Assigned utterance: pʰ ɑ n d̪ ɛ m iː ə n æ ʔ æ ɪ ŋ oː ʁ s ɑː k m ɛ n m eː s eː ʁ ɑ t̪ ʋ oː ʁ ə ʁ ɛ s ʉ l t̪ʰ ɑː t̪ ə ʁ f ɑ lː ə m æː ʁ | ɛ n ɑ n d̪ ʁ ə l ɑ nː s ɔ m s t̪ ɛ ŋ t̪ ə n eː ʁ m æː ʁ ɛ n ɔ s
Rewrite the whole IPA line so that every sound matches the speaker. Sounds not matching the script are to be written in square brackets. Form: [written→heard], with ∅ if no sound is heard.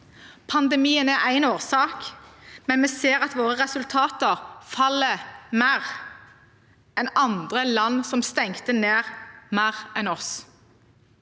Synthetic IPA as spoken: pʰ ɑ n d̪ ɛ m iː ə n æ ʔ æ ɪ [ŋ→n] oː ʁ s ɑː k m ɛ n m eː s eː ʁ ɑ t̪ ʋ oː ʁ ə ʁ ɛ s ʉ l t̪ʰ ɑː t̪ ə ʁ f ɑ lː ə m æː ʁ | ɛ n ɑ n d̪ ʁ ə l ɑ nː s ɔ m s t̪ ɛ ŋ t̪ ə n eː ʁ m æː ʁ ɛ n ɔ s